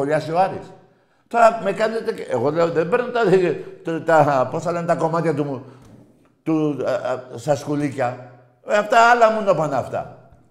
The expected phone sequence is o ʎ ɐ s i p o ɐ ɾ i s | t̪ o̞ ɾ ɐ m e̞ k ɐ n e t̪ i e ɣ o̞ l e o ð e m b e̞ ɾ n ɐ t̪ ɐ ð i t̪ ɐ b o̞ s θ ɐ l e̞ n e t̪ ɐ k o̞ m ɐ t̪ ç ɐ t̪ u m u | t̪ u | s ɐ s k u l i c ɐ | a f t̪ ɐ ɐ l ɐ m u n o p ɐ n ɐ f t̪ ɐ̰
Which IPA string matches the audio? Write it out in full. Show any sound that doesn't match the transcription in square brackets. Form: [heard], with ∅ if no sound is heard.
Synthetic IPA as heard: o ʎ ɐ s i [∅] o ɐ ɾ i s | t̪ o̞ ɾ ɐ m e̞ k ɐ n e t̪ [e] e ɣ o̞ l e o ð e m b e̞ ɾ n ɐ t̪ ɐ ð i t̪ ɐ [p] o̞ s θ ɐ l e̞ n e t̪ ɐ k o̞ m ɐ t̪ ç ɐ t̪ u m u | t̪ u | s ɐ s k u l i c ɐ | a f t̪ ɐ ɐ l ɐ m u n o p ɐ n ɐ f t̪ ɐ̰